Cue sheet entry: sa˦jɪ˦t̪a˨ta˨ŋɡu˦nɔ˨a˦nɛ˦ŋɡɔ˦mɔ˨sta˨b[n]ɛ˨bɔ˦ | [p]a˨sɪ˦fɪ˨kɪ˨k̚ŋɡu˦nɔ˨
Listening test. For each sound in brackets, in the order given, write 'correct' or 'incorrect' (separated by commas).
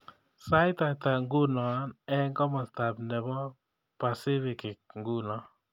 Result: correct, correct